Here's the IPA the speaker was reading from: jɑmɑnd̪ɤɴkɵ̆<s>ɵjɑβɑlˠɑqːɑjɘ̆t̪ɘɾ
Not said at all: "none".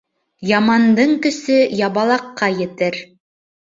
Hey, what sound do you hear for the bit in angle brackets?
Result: s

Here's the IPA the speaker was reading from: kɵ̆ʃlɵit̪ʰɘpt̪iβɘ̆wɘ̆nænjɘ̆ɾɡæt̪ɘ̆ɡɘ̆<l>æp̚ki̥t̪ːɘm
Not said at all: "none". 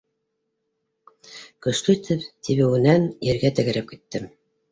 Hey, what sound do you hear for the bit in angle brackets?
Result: ɾ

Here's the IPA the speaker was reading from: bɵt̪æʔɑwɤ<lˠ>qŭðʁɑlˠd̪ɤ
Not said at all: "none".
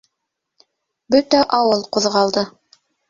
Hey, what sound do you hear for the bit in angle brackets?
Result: lˠ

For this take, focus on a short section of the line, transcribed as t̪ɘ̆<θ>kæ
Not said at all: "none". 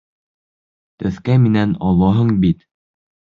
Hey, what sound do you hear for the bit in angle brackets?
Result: θ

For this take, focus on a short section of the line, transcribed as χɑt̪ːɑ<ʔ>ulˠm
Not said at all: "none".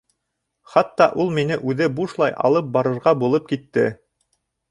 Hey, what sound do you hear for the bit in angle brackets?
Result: ʔ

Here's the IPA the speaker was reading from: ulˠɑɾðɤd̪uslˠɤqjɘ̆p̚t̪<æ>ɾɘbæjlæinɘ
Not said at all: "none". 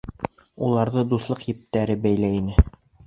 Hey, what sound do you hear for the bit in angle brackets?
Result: æ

